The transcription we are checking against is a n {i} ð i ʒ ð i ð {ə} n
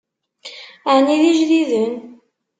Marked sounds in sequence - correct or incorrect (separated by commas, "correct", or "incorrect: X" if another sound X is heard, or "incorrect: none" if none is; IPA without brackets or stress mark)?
correct, correct